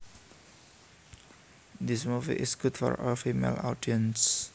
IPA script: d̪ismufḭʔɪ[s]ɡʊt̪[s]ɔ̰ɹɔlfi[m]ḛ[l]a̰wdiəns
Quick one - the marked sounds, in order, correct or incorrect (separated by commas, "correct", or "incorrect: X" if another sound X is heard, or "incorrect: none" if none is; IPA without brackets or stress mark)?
correct, incorrect: f, correct, correct